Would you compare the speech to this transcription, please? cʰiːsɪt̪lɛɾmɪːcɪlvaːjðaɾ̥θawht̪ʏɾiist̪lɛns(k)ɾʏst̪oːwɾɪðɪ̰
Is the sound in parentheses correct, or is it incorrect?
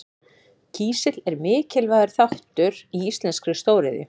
correct